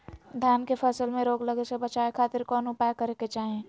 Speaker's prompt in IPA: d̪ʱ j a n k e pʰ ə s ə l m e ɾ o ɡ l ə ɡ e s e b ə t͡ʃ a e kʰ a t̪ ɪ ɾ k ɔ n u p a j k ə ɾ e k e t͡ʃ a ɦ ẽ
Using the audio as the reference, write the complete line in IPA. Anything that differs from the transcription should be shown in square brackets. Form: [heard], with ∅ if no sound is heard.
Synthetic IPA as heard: d̪ʱ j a n k e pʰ ə s ə l m e ɾ o ɡ l ə ɡ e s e b ə t͡ʃ a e kʰ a t̪ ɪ ɾ k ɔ n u p a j k ə ɾ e k e t͡ʃ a ɦ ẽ